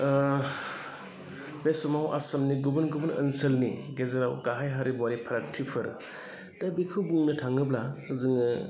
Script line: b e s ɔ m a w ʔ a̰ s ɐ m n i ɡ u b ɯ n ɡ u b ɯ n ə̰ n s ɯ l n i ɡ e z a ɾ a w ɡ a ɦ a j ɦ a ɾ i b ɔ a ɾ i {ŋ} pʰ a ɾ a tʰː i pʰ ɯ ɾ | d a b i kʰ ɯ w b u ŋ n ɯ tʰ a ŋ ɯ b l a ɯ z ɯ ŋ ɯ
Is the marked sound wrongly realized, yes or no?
yes